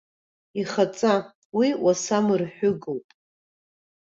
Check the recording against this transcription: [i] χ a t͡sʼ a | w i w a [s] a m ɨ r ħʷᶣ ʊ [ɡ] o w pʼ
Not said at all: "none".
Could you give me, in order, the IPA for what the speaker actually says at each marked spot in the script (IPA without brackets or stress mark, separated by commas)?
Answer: i, s, ɡ